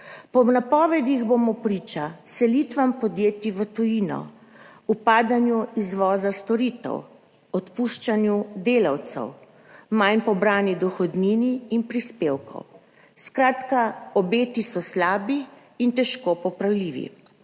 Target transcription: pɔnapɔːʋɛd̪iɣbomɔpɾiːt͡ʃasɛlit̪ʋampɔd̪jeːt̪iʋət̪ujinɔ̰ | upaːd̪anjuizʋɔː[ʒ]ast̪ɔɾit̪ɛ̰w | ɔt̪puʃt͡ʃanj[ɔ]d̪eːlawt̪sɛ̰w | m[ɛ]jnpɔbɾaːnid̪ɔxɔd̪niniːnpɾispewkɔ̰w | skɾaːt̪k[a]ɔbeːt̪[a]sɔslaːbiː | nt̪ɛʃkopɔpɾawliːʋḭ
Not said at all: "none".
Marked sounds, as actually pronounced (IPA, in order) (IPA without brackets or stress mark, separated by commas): z, u, a, a, i